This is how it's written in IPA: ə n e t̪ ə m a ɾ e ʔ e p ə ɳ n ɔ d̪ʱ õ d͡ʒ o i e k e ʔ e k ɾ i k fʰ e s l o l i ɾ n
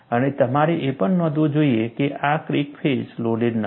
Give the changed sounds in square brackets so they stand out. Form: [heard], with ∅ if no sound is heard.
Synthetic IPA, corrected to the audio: ə n e t̪ ə m a ɾ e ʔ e p ə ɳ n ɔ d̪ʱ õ d͡ʒ o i e k e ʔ [a] k ɾ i k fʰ e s l o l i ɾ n